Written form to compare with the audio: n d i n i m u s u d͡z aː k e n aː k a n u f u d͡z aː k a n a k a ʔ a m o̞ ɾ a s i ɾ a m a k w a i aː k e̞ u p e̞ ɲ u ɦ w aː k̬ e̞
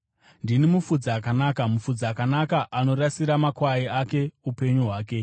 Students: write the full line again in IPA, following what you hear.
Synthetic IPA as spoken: n d i n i m u f u d͡z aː k a n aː k a m u f u d͡z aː k a n a k a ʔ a n o̞ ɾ a s i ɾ a m a k w a i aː k e̞ u p e̞ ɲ u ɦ w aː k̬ e̞

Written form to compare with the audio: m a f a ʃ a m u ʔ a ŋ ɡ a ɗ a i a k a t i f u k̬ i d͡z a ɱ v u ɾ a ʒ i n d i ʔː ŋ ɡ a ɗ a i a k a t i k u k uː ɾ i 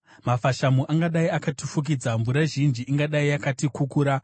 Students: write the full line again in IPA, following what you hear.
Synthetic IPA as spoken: m a f a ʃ a m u ʔ a ŋ ɡ a ɗ a i a k a t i f u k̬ i d͡z a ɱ v u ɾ a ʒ i n d͡ʒ i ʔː ŋ ɡ a ɗ a i a k a t i k u k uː ɾ a

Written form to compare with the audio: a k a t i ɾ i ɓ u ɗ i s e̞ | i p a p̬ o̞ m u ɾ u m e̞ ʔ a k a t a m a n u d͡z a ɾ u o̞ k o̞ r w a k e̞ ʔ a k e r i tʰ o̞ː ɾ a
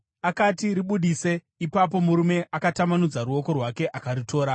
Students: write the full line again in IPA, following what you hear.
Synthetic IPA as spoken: a k a t i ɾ i ɓ u ɗ i s e̞ | i p a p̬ o̞ m u ɾ u m e̞ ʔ a k a t a m a n u d͡z a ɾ u o̞ k o̞ r w a k e̞ ʔ a k a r i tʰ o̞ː ɾ a

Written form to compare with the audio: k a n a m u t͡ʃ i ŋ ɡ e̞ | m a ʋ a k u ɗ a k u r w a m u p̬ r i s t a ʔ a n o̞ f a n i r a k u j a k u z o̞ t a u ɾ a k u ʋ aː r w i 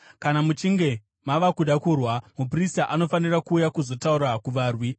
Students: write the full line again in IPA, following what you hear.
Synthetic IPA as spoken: k a n a m u t͡ʃ i ŋ ɡ e̞ | m a ʋ a k u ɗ a k u r w a m u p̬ r i s t a ʔ a n o̞ f a n i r a k uː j a k u z o̞ t a u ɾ a k u ʋ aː r w i

